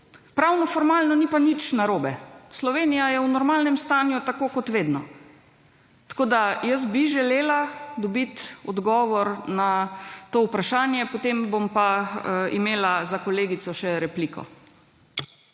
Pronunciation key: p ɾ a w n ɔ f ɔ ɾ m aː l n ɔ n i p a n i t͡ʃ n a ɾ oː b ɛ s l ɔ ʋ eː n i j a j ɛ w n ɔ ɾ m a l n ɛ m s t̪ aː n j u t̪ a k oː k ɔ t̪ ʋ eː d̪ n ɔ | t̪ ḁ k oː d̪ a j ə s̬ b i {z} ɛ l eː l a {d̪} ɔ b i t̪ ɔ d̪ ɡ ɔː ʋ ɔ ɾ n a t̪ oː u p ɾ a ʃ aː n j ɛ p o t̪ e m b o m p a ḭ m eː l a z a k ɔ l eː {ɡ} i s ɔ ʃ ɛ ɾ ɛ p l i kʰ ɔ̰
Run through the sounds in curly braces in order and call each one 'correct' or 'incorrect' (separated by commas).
incorrect, correct, correct